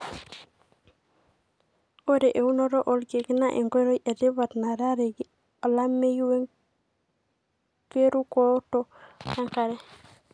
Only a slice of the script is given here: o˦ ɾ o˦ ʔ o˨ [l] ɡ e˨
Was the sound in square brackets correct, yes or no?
yes